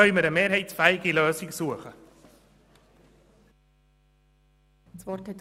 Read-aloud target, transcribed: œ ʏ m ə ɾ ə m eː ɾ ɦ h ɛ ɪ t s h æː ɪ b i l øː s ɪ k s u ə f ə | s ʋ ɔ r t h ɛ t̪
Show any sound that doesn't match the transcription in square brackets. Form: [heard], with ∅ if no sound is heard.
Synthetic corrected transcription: œ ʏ m ə ɾ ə m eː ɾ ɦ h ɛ ɪ t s [f] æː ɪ [ɡ] i l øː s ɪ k s u ə [χ] ə | s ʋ ɔ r t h ɛ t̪